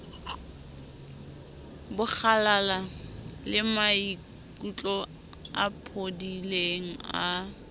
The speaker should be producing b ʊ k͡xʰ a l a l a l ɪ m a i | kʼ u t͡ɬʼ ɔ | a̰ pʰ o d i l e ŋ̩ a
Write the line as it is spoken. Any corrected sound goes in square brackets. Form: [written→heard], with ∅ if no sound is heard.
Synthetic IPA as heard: b ʊ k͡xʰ a l a l a l ɪ m a i | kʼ u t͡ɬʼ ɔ | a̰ pʰ o d i l e ŋ̩ a

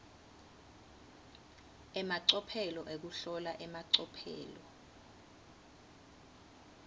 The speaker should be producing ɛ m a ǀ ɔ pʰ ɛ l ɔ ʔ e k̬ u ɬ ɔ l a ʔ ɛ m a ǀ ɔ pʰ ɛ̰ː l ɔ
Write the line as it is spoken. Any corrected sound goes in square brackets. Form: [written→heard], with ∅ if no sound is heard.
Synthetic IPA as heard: ɛ m a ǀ ɔ pʰ ɛ l ɔ ʔ e k̬ u ɬ ɔ l a ʔ ɛ m a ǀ ɔ pʰ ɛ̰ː l ɔ

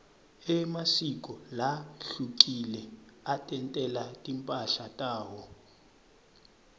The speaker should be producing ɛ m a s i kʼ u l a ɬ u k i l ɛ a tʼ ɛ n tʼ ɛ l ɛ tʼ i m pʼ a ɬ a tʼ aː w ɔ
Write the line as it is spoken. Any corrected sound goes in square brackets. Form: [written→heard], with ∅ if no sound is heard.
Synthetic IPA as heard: ɛ m a s i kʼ [u→ɔ] l a ɬ u k i l ɛ a tʼ ɛ n tʼ ɛ l [ɛ→a] tʼ i m pʼ a ɬ a tʼ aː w ɔ

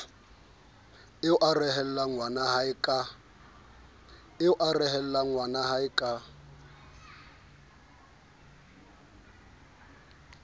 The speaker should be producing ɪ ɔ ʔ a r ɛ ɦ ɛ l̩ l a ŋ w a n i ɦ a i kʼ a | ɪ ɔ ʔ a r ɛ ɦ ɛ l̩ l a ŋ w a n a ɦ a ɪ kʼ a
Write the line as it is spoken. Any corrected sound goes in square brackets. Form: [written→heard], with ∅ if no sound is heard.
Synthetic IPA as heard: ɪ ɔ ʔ a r ɛ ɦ ɛ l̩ l a ŋ w a n [i→a] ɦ a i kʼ a | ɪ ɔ ʔ a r ɛ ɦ ɛ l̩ l a ŋ w a n a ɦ a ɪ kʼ a

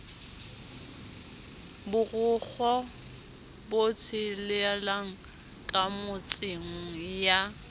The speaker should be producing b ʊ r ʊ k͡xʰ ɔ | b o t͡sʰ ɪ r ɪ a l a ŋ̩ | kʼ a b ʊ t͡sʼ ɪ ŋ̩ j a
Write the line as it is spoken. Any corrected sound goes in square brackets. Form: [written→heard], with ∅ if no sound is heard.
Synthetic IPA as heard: b ʊ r ʊ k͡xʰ ɔ | b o t͡sʰ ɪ [r→l] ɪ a l a ŋ̩ | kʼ a [b→m] ʊ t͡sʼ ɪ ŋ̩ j a

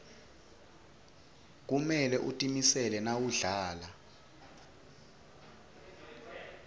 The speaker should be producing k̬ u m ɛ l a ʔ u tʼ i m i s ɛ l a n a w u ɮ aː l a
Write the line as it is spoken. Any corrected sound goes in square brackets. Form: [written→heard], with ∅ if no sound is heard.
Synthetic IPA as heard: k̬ u m ɛ l [a→ɛ] ʔ u tʼ i m i s ɛ l [a→ɛ] n a w u ɮ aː l a

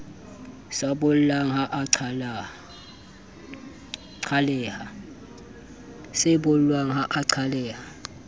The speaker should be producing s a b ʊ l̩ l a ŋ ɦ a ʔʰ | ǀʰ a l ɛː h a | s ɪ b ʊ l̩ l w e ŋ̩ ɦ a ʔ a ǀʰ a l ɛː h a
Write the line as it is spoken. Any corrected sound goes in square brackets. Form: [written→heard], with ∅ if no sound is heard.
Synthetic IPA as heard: s a b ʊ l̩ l a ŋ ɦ a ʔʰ | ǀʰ a l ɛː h a | s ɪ b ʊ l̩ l w [e→a] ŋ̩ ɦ a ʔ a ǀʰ a l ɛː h a

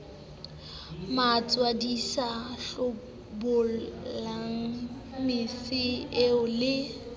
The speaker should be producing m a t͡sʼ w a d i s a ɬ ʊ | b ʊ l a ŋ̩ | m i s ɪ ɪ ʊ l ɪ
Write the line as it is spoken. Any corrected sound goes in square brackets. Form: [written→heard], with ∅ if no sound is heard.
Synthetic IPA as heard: m a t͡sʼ w a d i s a ɬ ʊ | b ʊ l a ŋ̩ | m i s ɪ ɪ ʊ l ɪ

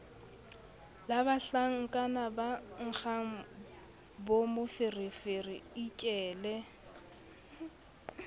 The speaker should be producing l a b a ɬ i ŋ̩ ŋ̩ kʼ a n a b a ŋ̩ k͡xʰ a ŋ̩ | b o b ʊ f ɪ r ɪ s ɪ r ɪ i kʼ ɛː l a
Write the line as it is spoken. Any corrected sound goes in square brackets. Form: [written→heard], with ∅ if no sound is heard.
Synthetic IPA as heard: l a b a ɬ [i→a] ŋ̩ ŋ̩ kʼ a n a b a ŋ̩ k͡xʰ a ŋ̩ | b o [b→m] ʊ f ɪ r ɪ [s→f] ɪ r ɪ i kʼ ɛː l [a→ɛ]

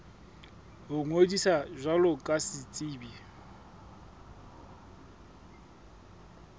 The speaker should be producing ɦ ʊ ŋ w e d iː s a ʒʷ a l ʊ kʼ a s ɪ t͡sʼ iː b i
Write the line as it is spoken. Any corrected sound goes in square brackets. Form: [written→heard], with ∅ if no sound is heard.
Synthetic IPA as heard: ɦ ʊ ŋ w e d [iː→i] s a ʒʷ a l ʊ kʼ a s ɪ t͡sʼ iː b i

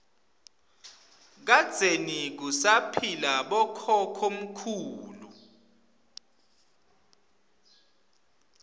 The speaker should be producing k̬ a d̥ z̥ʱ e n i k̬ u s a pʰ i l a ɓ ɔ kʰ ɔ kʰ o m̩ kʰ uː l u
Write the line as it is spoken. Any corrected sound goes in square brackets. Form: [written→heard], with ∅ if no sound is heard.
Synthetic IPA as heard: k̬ a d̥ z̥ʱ e n i k̬ u s a pʰ i l a ɓ ɔ kʰ ɔ kʰ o m̩ kʰ uː l u

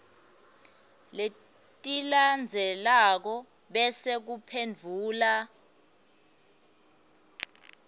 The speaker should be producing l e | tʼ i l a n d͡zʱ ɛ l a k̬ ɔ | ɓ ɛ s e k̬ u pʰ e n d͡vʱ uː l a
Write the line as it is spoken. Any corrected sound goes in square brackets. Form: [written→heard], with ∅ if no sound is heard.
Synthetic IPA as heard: l e | tʼ i l a n d͡zʱ ɛ l a k̬ ɔ | ɓ ɛ s e k̬ u pʰ e n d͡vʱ uː l a

